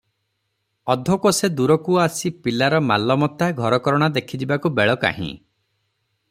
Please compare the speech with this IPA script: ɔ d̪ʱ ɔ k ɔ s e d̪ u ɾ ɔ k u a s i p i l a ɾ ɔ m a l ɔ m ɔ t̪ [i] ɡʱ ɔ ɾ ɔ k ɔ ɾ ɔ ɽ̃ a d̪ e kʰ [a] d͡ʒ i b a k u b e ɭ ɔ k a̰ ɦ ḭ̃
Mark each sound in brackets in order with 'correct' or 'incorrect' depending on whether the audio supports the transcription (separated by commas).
incorrect, incorrect